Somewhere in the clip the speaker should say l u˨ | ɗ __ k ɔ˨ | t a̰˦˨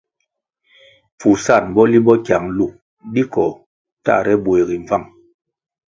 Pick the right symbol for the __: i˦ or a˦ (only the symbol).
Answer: i˦